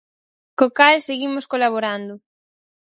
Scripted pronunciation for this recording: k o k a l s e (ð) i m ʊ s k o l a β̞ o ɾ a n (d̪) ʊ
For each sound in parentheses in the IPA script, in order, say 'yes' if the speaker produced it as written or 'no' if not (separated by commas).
no, yes